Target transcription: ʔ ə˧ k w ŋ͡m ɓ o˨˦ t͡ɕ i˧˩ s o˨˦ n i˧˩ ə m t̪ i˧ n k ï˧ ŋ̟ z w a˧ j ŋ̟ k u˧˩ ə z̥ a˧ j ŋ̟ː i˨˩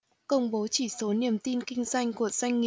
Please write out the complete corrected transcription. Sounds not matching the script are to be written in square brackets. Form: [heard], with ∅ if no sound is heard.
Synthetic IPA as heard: [k] ə˧ [∅] w ŋ͡m ɓ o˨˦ t͡ɕ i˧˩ s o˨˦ n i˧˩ ə m t̪ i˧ n k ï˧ ŋ̟ z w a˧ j ŋ̟ k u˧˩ ə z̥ a˧ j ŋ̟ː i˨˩